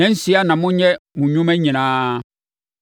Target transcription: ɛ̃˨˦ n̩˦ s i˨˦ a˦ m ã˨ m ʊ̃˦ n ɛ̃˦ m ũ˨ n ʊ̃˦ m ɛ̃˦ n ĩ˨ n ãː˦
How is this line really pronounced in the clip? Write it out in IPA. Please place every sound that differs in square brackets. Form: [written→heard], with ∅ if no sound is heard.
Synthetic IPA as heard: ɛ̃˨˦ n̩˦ s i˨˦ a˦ [m→n] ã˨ m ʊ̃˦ [n→ɲ] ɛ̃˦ m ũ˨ [n→ɲ] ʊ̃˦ m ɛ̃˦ [n→ɲ] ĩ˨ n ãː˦